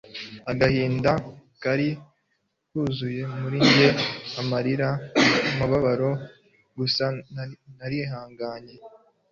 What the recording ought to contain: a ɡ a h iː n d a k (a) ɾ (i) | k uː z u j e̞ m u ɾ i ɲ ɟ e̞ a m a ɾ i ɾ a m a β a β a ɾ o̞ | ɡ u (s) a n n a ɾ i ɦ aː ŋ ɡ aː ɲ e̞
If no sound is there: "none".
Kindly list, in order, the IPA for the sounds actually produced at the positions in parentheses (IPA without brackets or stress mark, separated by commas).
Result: a, i, s